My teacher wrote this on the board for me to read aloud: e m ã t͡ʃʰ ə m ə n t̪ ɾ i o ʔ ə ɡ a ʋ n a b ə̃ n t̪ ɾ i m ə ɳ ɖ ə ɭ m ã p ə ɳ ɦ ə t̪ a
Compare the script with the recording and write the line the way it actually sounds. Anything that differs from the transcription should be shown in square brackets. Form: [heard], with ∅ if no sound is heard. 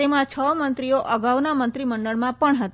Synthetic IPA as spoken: e m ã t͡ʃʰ ə m ə n t̪ ɾ i o ʔ ə ɡ a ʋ n a [m] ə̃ n t̪ ɾ i m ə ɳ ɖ ə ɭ m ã p ə ɳ ɦ ə t̪ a